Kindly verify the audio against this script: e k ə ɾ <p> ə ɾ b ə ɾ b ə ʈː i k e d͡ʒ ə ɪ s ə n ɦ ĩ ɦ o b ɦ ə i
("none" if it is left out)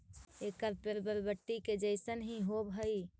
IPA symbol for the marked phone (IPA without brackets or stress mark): p